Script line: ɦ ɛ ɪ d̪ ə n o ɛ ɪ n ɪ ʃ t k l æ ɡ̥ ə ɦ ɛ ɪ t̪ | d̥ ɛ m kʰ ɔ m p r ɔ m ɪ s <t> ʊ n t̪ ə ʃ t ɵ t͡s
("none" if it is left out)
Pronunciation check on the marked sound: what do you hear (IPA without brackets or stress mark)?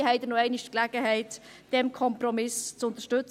t͡s